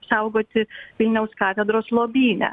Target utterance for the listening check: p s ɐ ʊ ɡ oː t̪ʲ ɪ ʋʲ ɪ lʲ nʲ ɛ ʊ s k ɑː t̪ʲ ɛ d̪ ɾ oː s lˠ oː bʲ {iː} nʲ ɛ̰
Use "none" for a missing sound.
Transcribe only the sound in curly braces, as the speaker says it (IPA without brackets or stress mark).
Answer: iː